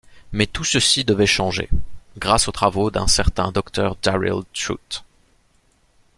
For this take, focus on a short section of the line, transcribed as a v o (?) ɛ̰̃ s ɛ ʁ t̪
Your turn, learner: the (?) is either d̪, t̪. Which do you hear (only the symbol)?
d̪